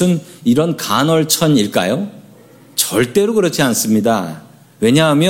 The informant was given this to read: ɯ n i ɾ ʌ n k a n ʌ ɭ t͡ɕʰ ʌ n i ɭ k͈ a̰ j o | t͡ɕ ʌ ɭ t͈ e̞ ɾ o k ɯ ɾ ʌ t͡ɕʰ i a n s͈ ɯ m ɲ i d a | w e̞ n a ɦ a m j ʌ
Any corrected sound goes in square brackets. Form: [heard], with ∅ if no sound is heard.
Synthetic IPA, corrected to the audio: ɯ n i ɾ ʌ n k a n ʌ ɭ t͡ɕʰ ʌ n i ɭ k͈ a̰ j o | t͡ɕ ʌ ɭ t͈ e̞ ɾ o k ɯ ɾ ʌ t͡ɕʰ i a n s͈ ɯ m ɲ i d a | w e̞ [ɲ] a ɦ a m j ʌ